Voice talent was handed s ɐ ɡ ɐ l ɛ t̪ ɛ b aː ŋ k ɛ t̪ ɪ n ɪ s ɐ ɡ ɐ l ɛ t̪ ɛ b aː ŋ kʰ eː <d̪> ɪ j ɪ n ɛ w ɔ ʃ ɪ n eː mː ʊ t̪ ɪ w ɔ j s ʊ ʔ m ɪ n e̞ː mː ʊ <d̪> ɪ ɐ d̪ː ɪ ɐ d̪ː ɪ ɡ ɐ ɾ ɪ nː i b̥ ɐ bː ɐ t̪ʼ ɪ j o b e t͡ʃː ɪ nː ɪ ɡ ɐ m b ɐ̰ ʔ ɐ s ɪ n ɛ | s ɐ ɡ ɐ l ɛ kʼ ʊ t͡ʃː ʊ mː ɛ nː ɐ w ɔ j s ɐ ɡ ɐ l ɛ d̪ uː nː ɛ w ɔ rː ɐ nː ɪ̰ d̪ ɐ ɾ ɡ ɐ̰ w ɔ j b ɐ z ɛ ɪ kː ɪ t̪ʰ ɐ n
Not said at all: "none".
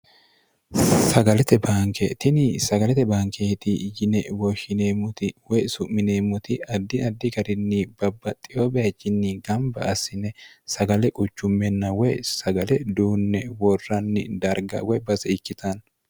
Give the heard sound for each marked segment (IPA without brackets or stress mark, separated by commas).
t̪, t̪